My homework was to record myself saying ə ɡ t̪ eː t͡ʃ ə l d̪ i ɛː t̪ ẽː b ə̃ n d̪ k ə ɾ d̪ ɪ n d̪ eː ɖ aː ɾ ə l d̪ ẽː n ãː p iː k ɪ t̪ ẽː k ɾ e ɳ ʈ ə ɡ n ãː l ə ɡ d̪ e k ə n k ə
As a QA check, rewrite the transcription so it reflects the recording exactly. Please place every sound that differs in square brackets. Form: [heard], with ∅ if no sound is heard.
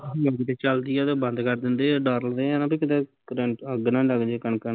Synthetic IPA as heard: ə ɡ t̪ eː t͡ʃ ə l d̪ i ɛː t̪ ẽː b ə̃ n d̪ k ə ɾ d̪ ɪ n d̪ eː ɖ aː ɾ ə l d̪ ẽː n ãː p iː k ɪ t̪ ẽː k ɾ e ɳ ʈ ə ɡ n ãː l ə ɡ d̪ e k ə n k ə